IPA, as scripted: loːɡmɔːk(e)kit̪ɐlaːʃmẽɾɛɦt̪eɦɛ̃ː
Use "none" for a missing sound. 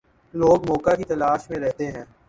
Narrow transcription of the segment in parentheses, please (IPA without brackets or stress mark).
a